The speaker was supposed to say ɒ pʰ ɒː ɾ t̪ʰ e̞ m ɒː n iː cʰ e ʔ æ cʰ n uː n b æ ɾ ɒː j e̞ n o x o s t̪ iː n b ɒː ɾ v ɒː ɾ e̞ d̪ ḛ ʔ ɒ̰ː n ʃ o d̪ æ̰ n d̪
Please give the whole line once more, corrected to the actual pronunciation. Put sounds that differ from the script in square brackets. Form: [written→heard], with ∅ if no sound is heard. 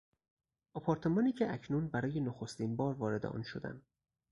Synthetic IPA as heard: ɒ pʰ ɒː ɾ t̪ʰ e̞ m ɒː n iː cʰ e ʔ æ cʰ n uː n b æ ɾ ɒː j e̞ n o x o s t̪ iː n b ɒː ɾ v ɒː ɾ e̞ d̪ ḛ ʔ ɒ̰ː n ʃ o d̪ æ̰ n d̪